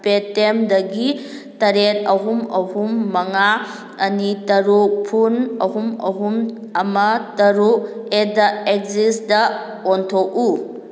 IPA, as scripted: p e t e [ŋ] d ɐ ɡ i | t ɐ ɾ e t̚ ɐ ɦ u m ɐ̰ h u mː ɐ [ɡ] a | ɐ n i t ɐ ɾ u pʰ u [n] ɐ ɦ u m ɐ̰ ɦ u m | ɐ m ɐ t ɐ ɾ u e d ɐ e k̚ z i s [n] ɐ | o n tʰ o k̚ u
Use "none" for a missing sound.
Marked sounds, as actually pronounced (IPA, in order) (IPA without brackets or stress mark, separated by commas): m, ŋ, n, d